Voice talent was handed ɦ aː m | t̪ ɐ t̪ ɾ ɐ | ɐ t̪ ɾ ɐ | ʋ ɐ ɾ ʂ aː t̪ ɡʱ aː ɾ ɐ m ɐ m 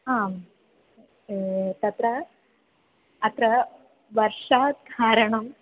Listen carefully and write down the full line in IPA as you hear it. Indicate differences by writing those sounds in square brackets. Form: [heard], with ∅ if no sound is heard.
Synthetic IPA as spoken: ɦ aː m | t̪ ɐ t̪ ɾ ɐ | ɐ t̪ ɾ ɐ | ʋ ɐ ɾ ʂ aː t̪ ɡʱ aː ɾ ɐ [ɳ] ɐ m

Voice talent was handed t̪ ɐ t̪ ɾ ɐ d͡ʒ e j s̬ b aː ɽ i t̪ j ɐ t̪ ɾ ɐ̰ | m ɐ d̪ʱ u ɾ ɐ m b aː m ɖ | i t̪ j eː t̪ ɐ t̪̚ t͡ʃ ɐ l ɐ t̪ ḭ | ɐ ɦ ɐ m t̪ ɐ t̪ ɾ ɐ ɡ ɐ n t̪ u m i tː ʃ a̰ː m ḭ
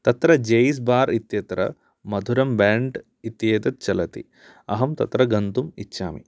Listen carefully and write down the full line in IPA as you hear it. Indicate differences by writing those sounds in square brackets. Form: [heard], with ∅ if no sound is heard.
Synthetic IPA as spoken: t̪ ɐ t̪ ɾ ɐ d͡ʒ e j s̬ b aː [ɾ] i t̪ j ɐ t̪ ɾ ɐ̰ | m ɐ d̪ʱ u ɾ ɐ m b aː [ɳ] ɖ | i t̪ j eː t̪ ɐ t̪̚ t͡ʃ ɐ l ɐ t̪ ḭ | ɐ ɦ ɐ m t̪ ɐ t̪ ɾ ɐ ɡ ɐ n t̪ u m i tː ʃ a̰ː m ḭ

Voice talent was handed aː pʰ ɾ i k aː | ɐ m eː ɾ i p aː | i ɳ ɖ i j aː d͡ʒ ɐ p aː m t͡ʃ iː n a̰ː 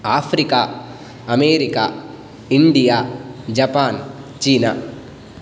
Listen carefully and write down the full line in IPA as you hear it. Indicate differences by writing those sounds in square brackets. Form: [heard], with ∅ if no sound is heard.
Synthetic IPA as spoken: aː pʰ ɾ i k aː | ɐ m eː ɾ i [k] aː | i ɳ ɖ i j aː d͡ʒ ɐ p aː [n] t͡ʃ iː n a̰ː

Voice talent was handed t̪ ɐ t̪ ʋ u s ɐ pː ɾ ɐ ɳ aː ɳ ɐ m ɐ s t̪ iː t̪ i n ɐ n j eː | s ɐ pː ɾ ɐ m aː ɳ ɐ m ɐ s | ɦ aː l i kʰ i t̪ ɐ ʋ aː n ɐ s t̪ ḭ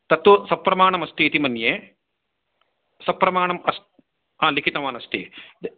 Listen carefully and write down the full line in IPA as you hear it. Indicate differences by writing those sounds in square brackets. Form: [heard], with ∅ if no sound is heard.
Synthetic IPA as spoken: t̪ ɐ t̪ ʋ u s ɐ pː ɾ ɐ [m] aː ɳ ɐ m ɐ s t̪ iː t̪ i [m] ɐ n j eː | s ɐ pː ɾ ɐ m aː ɳ ɐ m ɐ s | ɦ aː l i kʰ i t̪ ɐ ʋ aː n ɐ s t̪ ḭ

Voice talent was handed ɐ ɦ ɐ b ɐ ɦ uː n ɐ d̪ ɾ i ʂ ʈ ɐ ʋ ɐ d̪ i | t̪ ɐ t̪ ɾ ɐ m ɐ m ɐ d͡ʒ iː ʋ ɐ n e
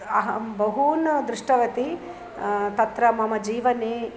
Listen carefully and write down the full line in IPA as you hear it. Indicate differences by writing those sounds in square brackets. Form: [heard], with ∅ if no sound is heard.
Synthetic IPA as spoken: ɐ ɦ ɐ b ɐ ɦ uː n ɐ d̪ ɾ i ʂ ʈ ɐ ʋ ɐ [t̪] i | t̪ ɐ t̪ ɾ ɐ m ɐ m ɐ d͡ʒ iː ʋ ɐ n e

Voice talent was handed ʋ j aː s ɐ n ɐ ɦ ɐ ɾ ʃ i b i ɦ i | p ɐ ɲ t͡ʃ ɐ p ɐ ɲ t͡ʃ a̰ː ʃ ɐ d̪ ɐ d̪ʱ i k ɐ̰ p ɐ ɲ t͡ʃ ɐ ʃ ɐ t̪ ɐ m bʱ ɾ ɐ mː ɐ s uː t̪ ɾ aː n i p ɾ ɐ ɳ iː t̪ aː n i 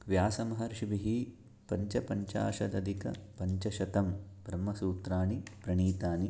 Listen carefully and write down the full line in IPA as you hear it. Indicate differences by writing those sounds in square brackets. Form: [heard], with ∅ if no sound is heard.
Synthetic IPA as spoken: ʋ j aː s ɐ [m] ɐ ɦ ɐ ɾ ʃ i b i ɦ i | p ɐ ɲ t͡ʃ ɐ p ɐ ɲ t͡ʃ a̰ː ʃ ɐ d̪ ɐ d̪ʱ i k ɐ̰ p ɐ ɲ t͡ʃ ɐ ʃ ɐ t̪ ɐ m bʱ ɾ ɐ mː ɐ s uː t̪ ɾ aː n i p ɾ ɐ ɳ iː t̪ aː n i

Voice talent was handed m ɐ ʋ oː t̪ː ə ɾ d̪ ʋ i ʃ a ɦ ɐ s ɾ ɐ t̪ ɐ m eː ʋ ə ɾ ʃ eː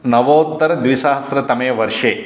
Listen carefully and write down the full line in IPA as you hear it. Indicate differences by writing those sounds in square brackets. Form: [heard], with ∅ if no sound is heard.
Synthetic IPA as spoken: [n] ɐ ʋ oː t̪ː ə ɾ d̪ ʋ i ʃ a ɦ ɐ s ɾ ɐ t̪ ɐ m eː ʋ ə ɾ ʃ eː

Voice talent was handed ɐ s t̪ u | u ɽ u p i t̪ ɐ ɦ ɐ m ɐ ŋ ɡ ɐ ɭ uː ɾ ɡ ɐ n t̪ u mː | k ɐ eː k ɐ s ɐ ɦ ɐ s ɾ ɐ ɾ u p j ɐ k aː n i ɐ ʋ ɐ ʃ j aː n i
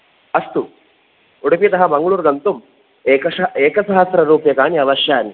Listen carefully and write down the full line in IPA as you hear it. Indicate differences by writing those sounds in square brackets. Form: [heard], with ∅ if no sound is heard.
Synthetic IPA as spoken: ɐ s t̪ u | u ɽ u p i t̪ ɐ ɦ ɐ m ɐ ŋ ɡ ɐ ɭ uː ɾ ɡ ɐ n t̪ u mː | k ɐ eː k ɐ s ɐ ɦ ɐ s ɾ ɐ ɾ [uː] p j ɐ k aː n i ɐ ʋ ɐ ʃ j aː n i

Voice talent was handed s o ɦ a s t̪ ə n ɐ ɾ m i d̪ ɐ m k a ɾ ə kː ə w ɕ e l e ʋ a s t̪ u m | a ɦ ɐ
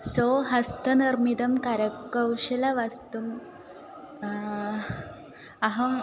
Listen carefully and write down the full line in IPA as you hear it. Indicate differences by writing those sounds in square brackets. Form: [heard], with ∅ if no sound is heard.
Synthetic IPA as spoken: s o ɦ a s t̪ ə n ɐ ɾ m i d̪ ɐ m k a ɾ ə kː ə w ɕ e l [a] ʋ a s t̪ u m | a ɦ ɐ

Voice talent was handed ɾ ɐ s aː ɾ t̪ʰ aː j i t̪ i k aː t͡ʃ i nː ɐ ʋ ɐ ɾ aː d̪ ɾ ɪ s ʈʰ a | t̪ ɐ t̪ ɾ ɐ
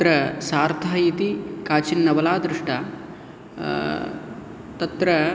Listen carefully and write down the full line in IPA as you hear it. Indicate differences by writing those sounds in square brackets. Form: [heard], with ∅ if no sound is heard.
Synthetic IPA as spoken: ɾ ɐ s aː ɾ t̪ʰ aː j i t̪ i k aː t͡ʃ i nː ɐ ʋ ɐ [l] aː d̪ ɾ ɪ [ʂ] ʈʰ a | t̪ ɐ t̪ ɾ ɐ

